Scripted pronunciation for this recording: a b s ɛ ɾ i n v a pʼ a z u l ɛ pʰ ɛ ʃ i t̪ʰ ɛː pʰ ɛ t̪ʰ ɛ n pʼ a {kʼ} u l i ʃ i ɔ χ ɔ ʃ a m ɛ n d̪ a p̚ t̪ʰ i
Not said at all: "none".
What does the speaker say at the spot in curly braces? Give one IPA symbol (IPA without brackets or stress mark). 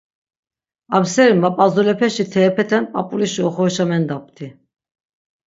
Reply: pʼ